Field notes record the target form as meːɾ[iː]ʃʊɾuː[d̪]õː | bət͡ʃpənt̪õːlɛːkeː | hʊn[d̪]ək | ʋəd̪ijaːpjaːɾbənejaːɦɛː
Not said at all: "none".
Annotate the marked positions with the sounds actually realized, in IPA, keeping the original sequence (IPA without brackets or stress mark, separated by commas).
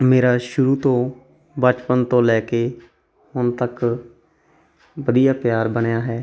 aː, t̪, t̪